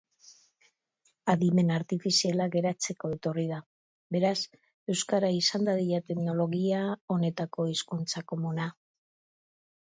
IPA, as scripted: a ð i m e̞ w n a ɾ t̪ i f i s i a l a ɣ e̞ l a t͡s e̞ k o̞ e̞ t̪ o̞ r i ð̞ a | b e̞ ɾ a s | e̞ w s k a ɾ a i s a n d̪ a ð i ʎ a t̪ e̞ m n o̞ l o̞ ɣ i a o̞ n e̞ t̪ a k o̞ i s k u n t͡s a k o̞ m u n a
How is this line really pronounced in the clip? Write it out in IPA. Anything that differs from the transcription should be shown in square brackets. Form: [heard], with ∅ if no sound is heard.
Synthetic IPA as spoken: a ð i m e̞ [∅] n a ɾ t̪ i f i s i a l a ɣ e̞ [ɾ] a t͡s e̞ k o̞ e̞ t̪ o̞ r i ð̞ a | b e̞ ɾ a s | e̞ w s k a ɾ a i s a n d̪ a ð i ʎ a t̪ e̞ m n o̞ l o̞ ɣ i a o̞ n e̞ t̪ a k o̞ i s k u n t͡s a k o̞ m u n a